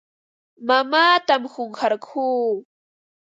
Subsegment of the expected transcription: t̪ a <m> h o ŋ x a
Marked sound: correct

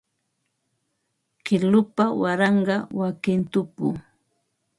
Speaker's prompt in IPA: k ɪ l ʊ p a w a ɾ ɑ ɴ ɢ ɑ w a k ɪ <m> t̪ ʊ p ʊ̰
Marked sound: incorrect: n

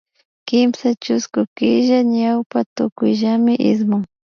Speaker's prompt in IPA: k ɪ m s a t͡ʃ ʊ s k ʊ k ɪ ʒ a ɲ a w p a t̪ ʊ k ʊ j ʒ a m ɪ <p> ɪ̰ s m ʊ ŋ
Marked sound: incorrect: ʔ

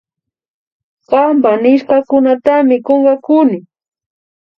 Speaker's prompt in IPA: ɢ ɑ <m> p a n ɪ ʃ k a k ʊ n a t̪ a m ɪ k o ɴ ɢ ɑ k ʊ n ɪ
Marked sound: correct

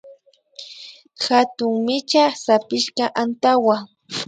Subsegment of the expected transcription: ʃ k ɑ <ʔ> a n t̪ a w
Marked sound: correct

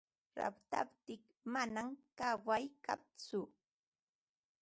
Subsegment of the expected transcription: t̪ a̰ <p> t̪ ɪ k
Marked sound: correct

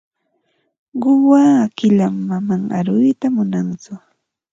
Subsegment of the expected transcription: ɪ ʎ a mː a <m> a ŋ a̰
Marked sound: correct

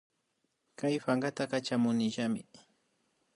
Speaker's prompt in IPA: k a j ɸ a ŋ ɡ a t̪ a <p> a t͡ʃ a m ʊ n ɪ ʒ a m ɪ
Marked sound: incorrect: k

